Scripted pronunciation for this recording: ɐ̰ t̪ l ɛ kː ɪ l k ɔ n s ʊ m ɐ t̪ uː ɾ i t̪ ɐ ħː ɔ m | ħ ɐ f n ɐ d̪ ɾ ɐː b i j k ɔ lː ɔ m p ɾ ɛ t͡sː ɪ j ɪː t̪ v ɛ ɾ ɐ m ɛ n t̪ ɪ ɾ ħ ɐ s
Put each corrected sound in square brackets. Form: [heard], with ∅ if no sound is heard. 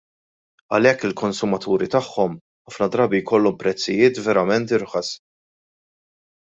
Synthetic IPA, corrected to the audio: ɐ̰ [∅] l ɛ kː ɪ l k ɔ n s ʊ m ɐ t̪ uː ɾ i t̪ ɐ ħː ɔ m | ħ ɐ f n ɐ d̪ ɾ ɐː b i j k ɔ lː ɔ m p ɾ ɛ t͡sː ɪ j ɪː t̪ v ɛ ɾ ɐ m ɛ n t̪ ɪ ɾ ħ ɐ s